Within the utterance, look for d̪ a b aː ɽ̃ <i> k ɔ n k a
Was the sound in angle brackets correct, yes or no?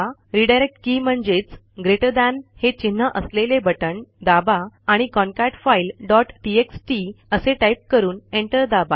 yes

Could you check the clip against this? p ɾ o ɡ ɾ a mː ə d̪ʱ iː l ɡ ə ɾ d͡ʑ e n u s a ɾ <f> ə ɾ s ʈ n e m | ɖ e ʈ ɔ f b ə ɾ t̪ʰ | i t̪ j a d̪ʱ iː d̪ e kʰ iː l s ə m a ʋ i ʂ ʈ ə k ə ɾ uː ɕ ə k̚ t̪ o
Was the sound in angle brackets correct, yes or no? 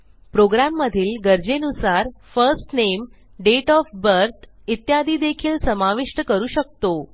yes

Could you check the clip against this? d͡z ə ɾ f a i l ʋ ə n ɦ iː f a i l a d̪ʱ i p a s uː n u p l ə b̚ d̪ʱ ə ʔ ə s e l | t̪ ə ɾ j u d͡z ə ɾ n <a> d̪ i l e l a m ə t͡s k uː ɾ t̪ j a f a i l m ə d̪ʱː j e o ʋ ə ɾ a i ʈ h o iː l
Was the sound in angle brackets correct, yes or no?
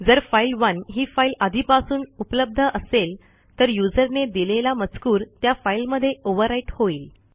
no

